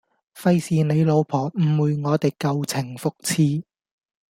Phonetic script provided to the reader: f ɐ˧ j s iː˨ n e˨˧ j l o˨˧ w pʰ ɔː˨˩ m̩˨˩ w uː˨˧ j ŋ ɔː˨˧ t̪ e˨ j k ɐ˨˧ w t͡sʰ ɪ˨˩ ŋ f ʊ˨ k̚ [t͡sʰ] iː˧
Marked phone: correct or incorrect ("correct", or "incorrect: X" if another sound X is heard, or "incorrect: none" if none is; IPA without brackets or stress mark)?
correct